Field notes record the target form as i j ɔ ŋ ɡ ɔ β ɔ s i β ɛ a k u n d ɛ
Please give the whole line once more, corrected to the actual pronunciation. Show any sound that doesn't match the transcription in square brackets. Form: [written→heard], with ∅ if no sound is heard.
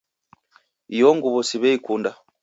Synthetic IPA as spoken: i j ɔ ŋ ɡ [ɔ→u] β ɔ s i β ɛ [a→i] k u n d [ɛ→a]